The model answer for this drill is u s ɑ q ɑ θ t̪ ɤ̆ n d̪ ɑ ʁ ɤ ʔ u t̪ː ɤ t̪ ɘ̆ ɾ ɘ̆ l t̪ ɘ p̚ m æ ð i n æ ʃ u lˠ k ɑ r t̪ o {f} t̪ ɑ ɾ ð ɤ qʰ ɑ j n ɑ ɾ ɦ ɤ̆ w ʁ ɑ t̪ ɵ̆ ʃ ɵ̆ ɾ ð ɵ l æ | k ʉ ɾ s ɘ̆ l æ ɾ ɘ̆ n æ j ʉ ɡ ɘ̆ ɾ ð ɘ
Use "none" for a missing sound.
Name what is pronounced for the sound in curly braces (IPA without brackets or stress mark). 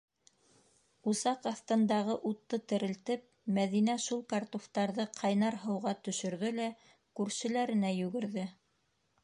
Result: f